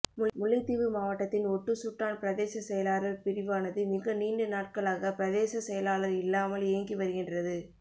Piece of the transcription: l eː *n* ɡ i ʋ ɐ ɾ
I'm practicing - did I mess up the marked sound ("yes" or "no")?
yes